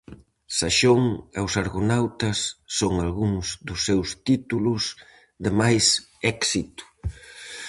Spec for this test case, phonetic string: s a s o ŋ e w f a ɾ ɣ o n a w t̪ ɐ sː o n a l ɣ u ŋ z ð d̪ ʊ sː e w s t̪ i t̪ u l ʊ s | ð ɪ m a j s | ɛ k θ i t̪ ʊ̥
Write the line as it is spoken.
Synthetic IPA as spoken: s a ʃ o ŋ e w s a ɾ ɣ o n a w t̪ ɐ sː o ŋ a l ɣ u ŋ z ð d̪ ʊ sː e w s t̪ i t̪ u l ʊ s | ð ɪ m a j s | ɛ k s i t̪ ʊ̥